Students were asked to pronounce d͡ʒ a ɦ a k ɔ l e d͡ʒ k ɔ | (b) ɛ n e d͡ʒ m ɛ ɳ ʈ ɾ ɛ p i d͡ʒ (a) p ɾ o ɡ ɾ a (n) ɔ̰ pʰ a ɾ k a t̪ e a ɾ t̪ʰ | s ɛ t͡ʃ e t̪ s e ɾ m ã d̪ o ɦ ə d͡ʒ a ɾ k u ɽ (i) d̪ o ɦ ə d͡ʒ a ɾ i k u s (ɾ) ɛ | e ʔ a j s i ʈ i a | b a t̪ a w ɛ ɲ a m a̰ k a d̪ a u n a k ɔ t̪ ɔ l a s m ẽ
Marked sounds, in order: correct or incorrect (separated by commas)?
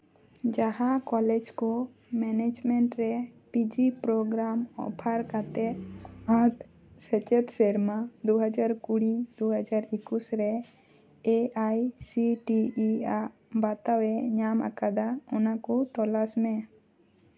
incorrect, incorrect, incorrect, correct, correct